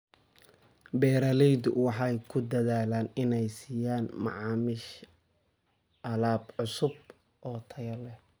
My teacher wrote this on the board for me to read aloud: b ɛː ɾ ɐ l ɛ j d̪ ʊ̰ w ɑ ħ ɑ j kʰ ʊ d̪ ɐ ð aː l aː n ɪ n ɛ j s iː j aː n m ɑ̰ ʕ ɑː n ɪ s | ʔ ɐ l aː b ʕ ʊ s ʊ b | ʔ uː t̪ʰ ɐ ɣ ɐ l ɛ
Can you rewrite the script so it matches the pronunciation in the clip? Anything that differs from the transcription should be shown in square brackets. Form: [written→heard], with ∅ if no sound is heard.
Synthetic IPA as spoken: b ɛː ɾ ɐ l ɛ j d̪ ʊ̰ w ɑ ħ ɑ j kʰ ʊ d̪ ɐ ð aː l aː n ɪ n ɛ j s iː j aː n m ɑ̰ ʕ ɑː [n→m] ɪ [s→ʃ] | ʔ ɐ l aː b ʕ ʊ s ʊ b | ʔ [uː→ɔː] t̪ʰ ɐ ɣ ɐ l ɛ